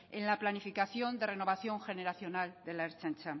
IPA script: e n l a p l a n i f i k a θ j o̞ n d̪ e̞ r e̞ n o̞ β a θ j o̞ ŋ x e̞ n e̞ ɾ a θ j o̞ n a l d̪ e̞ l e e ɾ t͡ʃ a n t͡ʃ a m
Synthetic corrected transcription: e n l a p l a n i f i k a θ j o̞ n d̪ e̞ r e̞ n o̞ β a θ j o̞ ŋ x e̞ n e̞ ɾ a θ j o̞ n a l d̪ e̞ l a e ɾ t͡ʃ a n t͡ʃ a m